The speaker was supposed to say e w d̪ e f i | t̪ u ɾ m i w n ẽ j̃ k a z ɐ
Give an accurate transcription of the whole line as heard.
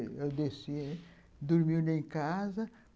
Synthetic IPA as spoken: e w d̪ e s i | d̪ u ɾ m i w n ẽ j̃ k a z ɐ